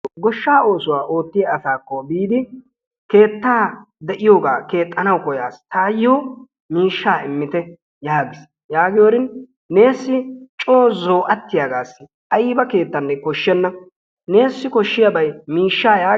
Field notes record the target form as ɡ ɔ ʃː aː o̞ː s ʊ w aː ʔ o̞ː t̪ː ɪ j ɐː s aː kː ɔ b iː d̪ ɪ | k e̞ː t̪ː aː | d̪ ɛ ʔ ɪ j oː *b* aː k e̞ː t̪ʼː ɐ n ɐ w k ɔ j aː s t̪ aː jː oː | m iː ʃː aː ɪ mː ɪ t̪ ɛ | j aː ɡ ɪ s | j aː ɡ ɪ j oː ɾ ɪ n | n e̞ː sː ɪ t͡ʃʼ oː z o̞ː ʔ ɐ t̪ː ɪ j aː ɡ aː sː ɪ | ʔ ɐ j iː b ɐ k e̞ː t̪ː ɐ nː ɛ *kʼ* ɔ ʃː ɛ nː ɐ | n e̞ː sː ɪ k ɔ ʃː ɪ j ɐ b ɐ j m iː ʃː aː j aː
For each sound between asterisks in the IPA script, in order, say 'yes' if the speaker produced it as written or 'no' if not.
no, no

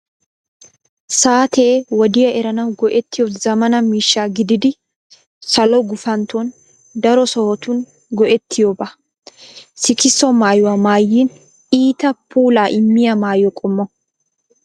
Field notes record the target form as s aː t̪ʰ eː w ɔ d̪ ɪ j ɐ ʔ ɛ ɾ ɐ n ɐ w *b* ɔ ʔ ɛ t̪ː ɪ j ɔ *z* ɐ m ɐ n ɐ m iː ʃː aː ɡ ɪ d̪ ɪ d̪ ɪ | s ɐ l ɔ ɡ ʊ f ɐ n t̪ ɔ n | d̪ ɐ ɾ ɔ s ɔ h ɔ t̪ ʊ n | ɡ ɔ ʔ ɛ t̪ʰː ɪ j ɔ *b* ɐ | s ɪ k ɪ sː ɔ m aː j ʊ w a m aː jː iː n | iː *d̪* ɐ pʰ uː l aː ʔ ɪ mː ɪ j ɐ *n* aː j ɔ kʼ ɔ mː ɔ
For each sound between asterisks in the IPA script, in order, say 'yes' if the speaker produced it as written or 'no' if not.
no, yes, yes, no, no

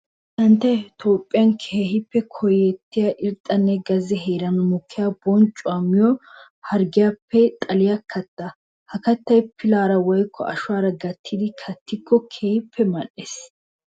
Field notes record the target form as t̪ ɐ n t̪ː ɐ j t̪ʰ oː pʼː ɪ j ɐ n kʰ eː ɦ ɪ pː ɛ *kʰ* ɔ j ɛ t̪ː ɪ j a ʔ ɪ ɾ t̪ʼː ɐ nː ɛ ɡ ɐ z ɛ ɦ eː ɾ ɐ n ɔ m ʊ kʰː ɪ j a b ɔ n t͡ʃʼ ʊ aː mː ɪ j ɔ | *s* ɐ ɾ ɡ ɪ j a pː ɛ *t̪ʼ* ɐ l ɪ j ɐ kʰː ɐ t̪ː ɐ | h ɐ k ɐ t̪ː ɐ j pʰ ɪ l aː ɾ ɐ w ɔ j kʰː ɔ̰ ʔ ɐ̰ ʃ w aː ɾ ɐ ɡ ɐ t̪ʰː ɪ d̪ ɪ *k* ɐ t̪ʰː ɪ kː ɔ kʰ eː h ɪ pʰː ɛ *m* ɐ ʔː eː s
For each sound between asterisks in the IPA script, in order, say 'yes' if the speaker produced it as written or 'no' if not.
yes, no, yes, no, yes

